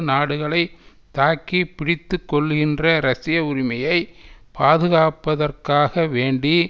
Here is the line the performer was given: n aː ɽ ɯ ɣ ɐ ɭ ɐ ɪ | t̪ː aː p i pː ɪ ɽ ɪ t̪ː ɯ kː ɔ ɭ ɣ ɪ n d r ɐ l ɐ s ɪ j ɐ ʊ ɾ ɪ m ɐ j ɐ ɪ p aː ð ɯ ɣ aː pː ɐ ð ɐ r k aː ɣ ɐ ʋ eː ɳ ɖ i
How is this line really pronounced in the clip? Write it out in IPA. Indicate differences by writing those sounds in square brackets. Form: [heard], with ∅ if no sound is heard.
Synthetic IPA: n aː ɽ ɯ ɣ ɐ ɭ ɐ ɪ | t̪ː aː [k] i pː ɪ ɽ ɪ t̪ː ɯ kː ɔ ɭ ɣ ɪ n d r ɐ [ɾ] ɐ s ɪ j ɐ ʊ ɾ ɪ m ɐ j ɐ ɪ p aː ð ɯ ɣ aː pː ɐ ð ɐ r k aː ɣ ɐ ʋ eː ɳ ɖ i